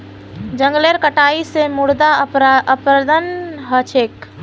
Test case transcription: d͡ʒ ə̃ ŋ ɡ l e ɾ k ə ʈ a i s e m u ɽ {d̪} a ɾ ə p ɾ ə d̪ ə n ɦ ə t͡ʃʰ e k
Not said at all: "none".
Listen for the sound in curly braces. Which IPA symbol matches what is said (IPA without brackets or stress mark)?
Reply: d̪